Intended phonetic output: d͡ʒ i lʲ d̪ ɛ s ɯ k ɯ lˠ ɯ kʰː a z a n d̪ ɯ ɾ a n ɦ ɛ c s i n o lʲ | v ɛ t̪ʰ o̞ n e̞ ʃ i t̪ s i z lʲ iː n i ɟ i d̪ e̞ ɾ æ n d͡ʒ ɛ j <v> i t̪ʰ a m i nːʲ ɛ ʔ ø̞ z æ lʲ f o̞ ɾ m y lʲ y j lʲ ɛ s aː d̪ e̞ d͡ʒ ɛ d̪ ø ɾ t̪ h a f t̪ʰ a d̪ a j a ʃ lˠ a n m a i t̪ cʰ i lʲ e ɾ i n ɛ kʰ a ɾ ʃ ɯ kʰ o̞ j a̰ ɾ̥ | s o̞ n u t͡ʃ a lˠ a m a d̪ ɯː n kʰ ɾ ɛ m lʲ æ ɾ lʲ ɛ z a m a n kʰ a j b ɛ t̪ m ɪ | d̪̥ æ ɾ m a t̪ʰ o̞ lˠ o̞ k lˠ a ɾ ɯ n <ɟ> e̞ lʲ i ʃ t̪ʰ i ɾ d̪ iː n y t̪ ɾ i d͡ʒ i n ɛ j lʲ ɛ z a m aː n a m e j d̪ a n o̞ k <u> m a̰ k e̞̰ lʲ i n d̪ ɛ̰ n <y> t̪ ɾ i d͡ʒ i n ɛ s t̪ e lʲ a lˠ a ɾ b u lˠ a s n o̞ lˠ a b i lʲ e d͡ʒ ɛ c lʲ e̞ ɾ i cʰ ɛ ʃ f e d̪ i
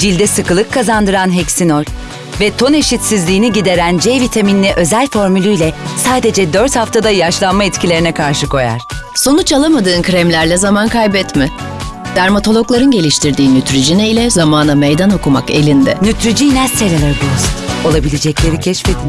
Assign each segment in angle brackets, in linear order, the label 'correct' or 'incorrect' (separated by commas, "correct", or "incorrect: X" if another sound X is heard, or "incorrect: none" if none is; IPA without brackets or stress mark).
correct, correct, correct, correct